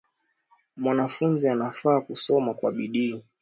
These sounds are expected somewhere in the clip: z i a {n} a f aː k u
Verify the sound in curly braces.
correct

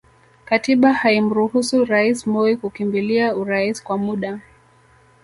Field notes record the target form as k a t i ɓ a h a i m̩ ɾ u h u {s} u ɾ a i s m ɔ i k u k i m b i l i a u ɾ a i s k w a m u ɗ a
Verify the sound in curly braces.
correct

